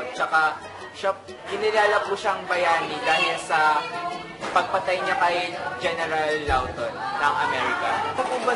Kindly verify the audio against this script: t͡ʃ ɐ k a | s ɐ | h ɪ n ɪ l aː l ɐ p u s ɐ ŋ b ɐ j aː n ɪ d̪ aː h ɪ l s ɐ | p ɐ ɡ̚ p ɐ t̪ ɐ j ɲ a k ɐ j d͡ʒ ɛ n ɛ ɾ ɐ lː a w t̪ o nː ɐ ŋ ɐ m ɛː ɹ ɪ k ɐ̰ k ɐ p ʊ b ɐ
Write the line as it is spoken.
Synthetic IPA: t͡ʃ ɐ k a | ʃ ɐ | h ɪ n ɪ l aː l ɐ p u ʃ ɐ ŋ b ɐ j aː n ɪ d̪ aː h ɪ l s ɐ | p ɐ ɡ̚ p ɐ t̪ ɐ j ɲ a k ɐ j d͡ʒ ɛ n ɛ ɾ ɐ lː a w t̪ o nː ɐ ŋ ɐ m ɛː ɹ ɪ k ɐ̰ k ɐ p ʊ b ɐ